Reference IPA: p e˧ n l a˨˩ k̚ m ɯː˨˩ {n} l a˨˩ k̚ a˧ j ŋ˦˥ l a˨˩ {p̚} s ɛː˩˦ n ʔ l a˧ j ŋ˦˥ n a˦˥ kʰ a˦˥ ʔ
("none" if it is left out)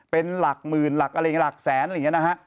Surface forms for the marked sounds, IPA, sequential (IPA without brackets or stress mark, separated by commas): n, k̚